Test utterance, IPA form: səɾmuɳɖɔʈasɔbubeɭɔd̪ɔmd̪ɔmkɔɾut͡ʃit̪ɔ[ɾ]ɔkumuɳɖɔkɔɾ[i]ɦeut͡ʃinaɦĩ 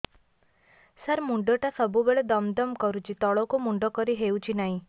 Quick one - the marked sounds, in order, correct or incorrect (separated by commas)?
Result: incorrect, correct